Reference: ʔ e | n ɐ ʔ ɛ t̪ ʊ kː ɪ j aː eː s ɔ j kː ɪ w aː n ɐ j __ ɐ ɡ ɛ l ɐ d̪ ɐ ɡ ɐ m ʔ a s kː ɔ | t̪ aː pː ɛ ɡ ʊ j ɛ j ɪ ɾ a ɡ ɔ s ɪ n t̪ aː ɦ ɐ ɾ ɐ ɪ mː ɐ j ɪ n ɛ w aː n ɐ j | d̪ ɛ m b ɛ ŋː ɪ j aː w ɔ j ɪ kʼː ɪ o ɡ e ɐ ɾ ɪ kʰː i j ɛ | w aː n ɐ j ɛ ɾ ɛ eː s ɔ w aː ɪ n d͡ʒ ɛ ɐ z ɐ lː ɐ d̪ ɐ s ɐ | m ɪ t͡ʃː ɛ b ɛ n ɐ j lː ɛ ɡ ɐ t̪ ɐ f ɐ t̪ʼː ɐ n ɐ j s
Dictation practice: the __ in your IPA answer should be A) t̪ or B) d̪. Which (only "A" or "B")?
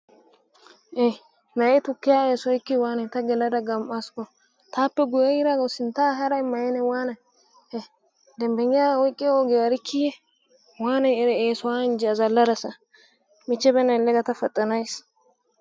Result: A